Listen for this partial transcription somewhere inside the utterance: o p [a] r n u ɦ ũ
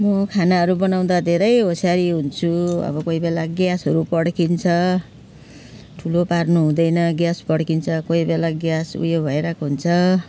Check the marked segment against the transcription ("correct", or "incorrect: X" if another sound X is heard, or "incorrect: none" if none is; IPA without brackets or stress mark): correct